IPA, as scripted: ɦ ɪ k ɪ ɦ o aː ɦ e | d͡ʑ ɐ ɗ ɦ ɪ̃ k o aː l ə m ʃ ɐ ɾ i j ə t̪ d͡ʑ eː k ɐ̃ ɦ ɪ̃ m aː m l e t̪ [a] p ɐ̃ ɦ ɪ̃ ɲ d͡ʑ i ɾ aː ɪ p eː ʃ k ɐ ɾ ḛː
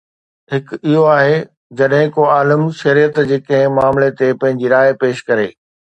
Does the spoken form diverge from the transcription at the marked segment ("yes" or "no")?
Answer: yes